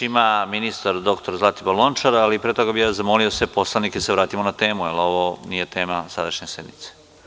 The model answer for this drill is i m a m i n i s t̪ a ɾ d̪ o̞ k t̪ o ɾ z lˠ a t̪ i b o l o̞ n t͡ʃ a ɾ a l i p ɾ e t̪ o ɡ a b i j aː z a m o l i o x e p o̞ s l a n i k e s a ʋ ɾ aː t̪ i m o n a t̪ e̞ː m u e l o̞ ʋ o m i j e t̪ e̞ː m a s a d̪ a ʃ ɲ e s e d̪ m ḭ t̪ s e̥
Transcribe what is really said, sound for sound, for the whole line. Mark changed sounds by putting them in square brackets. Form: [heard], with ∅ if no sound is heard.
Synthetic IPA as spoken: i m a m i n i s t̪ a ɾ d̪ o̞ k t̪ o ɾ z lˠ a t̪ i b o l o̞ n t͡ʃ a ɾ a l i p ɾ e t̪ o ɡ a b i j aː z a m o l i o [s] e p o̞ s l a n i k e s [e] ʋ ɾ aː t̪ i m o n a t̪ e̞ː m u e l o̞ ʋ o [n] i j e t̪ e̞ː m a s a d̪ a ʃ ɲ e s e d̪ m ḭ t̪ s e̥